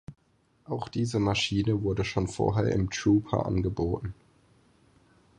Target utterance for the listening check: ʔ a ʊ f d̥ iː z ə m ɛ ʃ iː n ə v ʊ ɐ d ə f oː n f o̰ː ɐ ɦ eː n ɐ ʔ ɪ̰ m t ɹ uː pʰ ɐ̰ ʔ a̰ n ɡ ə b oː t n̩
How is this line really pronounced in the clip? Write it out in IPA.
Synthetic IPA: ʔ a ʊ x d̥ iː z ə m a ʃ iː n ə v ʊ ɐ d ə ʃ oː n f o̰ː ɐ ɦ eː ɐ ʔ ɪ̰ m t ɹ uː pʰ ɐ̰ ʔ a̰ n ɡ ə b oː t n̩